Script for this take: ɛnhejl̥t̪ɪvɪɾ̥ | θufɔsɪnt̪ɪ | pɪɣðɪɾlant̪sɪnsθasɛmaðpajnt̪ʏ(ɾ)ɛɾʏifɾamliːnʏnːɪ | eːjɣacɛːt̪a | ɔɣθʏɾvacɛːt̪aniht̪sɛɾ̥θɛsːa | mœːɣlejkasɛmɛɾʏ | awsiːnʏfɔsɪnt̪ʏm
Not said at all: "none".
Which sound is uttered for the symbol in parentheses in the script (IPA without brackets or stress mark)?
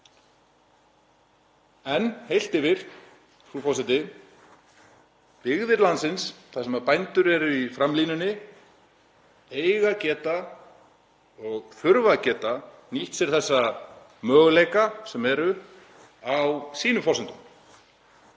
ɾ